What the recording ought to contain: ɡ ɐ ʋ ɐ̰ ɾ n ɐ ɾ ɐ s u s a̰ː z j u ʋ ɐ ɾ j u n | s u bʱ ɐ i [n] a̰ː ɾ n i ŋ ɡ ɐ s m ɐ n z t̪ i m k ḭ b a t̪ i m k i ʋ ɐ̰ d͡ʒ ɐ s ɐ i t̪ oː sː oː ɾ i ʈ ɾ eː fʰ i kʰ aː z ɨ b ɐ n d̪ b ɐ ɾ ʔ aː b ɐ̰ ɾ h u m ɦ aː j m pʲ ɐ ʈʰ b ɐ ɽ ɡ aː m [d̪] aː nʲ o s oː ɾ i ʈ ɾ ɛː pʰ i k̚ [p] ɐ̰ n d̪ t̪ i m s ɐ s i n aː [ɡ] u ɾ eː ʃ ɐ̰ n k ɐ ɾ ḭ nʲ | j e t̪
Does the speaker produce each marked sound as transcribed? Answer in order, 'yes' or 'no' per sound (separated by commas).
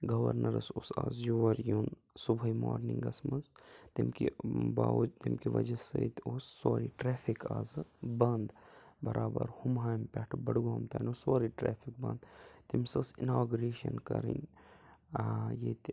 no, no, no, yes